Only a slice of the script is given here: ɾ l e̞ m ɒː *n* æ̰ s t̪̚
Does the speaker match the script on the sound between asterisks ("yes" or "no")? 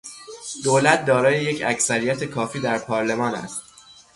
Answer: yes